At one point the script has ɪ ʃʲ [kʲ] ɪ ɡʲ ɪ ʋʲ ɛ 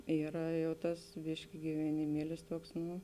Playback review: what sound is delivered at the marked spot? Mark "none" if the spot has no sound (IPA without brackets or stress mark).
kʲ